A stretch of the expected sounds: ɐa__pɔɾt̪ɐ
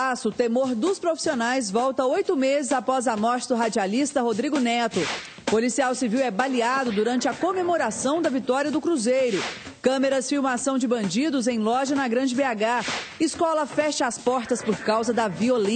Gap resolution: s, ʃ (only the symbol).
s